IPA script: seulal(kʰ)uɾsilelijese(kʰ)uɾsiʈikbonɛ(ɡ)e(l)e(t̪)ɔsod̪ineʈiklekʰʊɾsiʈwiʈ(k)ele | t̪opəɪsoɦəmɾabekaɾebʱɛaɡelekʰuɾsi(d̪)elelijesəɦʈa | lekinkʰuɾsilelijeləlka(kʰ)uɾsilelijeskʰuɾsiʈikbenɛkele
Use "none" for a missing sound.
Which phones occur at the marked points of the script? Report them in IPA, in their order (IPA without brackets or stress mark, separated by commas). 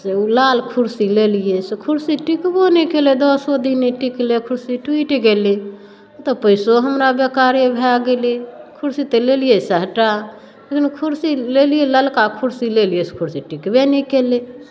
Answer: kʰ, kʰ, k, l, d̪, ɡ, t̪, kʰ